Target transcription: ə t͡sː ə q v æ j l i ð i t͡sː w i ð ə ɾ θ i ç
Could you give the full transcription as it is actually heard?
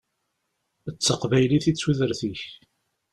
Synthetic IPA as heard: ə t͡sː ə q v æ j l i θ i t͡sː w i ð ə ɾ θ i ç